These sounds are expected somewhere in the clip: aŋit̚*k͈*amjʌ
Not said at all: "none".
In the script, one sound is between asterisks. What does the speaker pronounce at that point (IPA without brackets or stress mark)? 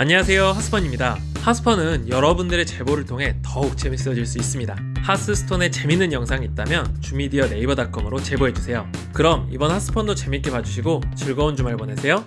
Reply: t͈